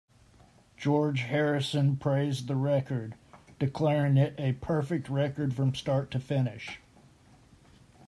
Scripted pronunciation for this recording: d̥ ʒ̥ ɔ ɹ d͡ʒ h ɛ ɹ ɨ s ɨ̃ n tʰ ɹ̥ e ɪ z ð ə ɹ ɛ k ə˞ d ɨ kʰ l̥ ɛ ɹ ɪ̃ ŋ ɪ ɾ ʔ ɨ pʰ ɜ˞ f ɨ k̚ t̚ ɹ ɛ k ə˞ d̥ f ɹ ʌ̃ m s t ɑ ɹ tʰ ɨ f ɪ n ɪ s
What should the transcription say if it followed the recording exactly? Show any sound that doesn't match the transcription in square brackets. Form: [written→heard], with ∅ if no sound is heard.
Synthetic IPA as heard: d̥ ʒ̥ ɔ ɹ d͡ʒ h ɛ ɹ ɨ s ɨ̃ n [tʰ→pʰ] ɹ̥ e ɪ z ð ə ɹ ɛ k ə˞ d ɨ kʰ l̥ ɛ ɹ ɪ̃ ŋ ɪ ɾ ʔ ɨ pʰ ɜ˞ f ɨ k̚ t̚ ɹ ɛ k ə˞ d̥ f ɹ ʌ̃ m s t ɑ ɹ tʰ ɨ f ɪ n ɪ [s→ʃ]